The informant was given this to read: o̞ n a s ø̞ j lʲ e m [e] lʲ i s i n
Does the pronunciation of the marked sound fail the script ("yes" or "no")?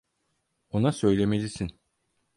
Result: no